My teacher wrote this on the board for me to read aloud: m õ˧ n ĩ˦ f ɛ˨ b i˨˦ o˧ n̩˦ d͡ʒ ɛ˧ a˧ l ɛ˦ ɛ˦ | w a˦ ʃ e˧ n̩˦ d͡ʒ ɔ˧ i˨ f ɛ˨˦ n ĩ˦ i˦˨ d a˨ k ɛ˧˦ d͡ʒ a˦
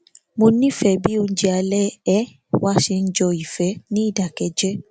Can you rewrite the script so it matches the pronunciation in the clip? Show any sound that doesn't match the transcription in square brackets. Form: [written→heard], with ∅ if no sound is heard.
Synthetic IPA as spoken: m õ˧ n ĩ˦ f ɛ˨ b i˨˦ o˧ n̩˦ d͡ʒ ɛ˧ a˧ l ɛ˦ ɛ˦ | w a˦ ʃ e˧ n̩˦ d͡ʒ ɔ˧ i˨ f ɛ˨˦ n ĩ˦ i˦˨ d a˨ k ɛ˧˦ d͡ʒ [a˦→ɛ˦]